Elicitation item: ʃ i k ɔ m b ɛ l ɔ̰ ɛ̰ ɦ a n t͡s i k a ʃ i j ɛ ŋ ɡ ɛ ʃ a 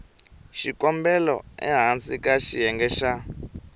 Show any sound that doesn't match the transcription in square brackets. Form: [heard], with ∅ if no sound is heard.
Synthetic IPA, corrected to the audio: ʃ i k ɔ m b ɛ l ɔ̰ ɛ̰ ɦ a n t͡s i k a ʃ i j ɛ ŋ ɡ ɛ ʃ a